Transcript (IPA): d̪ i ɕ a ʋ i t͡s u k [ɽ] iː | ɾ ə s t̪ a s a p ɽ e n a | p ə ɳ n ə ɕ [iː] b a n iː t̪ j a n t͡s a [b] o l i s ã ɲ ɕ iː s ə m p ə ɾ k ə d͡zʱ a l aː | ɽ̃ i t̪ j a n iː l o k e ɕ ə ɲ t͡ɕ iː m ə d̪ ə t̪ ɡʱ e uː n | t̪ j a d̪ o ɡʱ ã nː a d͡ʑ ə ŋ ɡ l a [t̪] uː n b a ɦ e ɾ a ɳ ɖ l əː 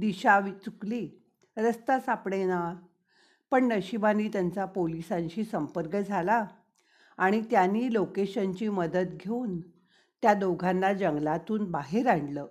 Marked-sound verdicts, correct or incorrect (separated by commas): incorrect, incorrect, incorrect, correct